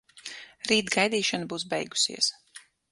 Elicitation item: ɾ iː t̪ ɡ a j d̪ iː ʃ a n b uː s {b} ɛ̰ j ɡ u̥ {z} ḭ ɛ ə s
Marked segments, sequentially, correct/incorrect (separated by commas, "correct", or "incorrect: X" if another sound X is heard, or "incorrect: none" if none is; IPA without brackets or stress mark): correct, incorrect: s